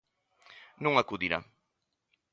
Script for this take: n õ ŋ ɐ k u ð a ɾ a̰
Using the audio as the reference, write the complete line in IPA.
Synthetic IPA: n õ ŋ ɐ k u ð i ɾ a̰